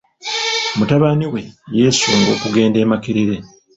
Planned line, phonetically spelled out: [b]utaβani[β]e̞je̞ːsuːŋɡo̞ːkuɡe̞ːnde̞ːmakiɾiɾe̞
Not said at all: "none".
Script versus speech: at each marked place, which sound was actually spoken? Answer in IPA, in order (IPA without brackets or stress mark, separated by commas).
m, w